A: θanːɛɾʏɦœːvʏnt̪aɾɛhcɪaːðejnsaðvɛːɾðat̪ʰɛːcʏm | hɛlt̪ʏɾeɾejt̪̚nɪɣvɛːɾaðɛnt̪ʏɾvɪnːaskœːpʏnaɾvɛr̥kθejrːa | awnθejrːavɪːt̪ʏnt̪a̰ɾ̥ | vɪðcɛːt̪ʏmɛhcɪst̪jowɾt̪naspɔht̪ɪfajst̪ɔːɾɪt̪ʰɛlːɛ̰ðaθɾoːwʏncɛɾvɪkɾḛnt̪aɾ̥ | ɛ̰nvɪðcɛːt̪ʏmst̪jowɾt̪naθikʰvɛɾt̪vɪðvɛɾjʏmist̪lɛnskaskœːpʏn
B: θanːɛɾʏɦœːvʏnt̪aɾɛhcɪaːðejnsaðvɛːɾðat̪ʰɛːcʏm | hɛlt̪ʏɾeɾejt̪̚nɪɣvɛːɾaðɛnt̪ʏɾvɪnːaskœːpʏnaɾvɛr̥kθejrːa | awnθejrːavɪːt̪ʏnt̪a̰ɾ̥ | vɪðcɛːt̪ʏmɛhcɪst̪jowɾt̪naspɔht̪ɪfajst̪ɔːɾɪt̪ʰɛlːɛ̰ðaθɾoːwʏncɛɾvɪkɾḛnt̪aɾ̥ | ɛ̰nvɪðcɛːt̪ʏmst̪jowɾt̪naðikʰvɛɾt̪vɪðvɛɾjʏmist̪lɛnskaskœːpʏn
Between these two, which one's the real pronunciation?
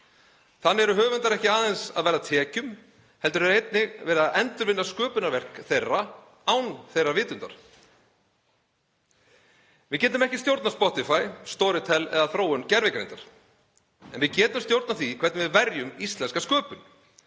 A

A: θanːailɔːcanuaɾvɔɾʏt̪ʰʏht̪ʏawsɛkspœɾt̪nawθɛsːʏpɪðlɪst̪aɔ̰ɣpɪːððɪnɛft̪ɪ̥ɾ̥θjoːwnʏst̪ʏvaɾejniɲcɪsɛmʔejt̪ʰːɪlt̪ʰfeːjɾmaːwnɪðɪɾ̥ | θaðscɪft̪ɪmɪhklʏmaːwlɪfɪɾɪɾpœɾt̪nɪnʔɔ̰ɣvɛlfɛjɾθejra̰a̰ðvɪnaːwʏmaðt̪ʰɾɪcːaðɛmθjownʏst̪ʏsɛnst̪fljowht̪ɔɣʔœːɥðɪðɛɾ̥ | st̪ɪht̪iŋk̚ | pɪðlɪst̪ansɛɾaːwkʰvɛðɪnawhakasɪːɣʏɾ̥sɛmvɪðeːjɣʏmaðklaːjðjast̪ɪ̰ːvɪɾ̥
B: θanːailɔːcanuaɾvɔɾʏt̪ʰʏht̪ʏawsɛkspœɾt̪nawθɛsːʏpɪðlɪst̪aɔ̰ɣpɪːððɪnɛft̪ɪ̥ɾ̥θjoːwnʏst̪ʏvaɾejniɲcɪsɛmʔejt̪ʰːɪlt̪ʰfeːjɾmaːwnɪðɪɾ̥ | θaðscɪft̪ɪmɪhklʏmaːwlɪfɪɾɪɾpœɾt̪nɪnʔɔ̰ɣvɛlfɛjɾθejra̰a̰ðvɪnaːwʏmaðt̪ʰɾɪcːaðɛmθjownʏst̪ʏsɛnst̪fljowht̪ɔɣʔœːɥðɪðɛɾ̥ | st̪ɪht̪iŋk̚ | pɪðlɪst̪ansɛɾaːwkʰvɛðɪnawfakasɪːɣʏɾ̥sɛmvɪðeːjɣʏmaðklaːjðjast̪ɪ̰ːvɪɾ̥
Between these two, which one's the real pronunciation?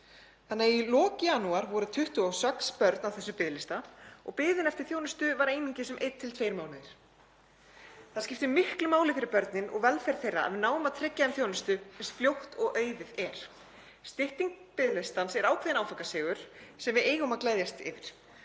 B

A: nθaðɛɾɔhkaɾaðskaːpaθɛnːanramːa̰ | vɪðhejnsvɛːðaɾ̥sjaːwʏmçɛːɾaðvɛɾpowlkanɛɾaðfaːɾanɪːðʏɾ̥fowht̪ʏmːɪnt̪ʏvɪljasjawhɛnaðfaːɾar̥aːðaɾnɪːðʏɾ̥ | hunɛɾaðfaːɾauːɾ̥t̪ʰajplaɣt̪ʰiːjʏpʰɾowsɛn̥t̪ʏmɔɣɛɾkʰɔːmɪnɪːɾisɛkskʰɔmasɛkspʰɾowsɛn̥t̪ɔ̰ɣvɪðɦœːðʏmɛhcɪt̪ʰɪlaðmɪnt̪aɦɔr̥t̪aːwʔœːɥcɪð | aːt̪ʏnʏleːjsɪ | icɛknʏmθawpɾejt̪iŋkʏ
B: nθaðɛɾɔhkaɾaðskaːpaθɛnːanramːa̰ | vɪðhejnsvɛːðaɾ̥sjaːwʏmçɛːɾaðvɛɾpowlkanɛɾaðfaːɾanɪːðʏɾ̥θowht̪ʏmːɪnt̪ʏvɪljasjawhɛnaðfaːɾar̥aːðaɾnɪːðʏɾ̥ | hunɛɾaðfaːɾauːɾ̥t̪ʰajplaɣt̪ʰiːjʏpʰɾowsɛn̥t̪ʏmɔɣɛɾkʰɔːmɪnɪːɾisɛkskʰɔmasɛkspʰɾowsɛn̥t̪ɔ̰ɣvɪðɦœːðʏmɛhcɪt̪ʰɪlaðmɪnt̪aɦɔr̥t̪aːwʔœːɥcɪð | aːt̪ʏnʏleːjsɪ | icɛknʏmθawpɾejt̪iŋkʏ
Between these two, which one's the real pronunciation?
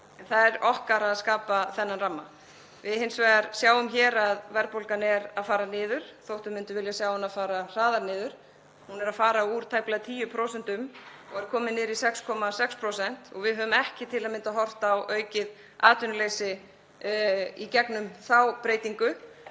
B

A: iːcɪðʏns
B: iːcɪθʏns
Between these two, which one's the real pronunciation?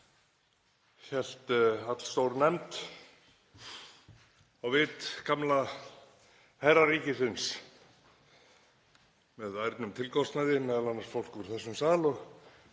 B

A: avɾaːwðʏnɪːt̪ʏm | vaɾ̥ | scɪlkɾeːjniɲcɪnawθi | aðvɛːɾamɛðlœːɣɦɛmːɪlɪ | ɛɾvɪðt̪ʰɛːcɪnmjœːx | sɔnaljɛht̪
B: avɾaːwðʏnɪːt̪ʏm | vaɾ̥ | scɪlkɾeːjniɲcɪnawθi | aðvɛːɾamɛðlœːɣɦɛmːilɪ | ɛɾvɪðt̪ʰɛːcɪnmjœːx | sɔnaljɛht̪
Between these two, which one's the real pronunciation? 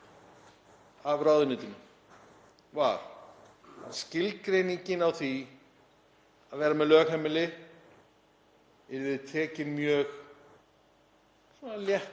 A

